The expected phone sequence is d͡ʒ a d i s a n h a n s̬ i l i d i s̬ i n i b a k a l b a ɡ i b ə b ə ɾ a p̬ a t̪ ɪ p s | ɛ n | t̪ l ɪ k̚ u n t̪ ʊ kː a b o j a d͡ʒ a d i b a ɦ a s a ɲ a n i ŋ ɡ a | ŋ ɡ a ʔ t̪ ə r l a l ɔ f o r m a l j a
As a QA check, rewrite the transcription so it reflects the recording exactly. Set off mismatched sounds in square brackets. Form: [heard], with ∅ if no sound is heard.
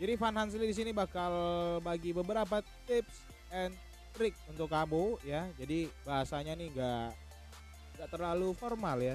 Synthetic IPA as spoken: d͡ʒ a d i [f] a n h a n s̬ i l i d i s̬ i n i b a k a l b a ɡ i b ə b ə ɾ a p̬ a t̪ ɪ p s | ɛ n | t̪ [ɾ] ɪ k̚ u n t̪ ʊ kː a b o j a d͡ʒ a d i b a ɦ a s a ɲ a n i ŋ ɡ a | ŋ ɡ a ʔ t̪ ə r l a l [u] f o r m a l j a